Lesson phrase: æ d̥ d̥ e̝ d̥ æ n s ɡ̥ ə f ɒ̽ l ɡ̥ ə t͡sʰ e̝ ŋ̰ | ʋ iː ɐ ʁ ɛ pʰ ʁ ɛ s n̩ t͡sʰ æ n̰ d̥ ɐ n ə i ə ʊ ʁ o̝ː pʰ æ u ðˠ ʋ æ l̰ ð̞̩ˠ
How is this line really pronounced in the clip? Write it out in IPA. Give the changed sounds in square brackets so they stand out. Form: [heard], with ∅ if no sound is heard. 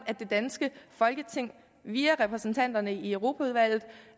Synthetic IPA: æ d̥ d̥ e̝ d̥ æ n s ɡ̥ ə f ɒ̽ l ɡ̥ ə t͡sʰ e̝ ŋ̰ | ʋ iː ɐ ʁ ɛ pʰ ʁ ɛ s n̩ t͡sʰ æ n̰ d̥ ɐ n ə i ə ʊ ʁ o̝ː pʰ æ u ðˠ ʋ æ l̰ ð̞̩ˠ